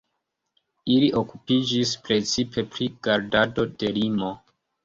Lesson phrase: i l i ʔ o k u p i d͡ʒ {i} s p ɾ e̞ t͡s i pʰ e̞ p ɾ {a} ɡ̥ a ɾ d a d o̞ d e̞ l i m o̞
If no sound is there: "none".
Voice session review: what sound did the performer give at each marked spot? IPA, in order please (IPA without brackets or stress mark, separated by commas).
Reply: i, i